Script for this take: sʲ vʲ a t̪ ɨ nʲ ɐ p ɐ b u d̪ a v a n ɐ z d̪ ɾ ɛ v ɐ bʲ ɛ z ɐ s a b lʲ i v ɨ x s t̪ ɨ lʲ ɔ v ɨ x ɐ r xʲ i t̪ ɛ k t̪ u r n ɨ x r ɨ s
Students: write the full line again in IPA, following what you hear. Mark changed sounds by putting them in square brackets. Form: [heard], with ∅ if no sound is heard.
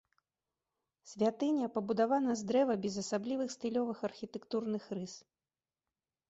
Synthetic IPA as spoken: sʲ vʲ a t̪ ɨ nʲ ɐ p ɐ b u d̪ a v a n ɐ z d̪ ɾ ɛ v ɐ bʲ ɛ z ɐ s a b lʲ i v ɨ x s t̪ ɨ lʲ ɔ v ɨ x ɐ r xʲ i t̪ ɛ k t̪ u r n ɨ x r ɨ s